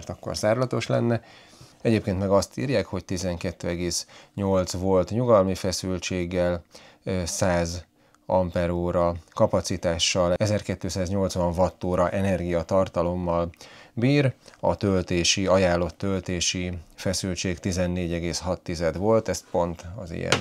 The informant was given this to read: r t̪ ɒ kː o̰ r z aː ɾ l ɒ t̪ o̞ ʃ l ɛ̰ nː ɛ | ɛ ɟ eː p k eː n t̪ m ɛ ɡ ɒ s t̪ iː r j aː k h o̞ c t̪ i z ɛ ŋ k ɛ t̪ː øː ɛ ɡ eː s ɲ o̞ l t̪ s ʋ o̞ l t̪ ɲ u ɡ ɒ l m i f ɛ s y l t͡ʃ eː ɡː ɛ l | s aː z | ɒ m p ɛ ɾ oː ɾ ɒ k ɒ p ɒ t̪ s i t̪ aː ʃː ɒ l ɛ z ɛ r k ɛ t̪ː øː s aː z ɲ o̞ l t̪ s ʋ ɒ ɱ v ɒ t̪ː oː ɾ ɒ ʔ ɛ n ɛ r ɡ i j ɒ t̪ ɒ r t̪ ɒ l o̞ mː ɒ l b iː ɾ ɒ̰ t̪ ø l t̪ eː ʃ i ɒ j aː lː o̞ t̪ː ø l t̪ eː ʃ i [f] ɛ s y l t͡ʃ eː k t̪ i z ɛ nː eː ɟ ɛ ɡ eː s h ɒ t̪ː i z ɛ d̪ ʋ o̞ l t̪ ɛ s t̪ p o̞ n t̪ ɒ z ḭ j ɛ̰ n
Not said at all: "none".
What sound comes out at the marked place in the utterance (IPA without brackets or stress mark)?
f